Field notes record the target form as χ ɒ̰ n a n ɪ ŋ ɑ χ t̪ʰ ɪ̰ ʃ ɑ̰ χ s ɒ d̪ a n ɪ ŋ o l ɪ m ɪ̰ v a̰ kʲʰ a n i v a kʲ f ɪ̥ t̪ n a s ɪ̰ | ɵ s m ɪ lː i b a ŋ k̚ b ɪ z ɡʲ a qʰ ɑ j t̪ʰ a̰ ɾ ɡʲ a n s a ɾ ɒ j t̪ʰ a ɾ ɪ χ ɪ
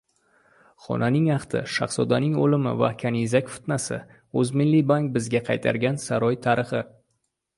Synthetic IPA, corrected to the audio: χ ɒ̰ n a n ɪ ŋ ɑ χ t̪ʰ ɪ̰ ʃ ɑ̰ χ s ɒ d̪ a n ɪ ŋ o l ɪ m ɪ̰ v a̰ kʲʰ a n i z a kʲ f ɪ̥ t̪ n a s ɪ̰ | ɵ z m ɪ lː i b a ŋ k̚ b ɪ z ɡʲ a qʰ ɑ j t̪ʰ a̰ ɾ ɡʲ a n s a ɾ ɒ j t̪ʰ a ɾ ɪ χ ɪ